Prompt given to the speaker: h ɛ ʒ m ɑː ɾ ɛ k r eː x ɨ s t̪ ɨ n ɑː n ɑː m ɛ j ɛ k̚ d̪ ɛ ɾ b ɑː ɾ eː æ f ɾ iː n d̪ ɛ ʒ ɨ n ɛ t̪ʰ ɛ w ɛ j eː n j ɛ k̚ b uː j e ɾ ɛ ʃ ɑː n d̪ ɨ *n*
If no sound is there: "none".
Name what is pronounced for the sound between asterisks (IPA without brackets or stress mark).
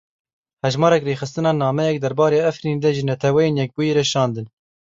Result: n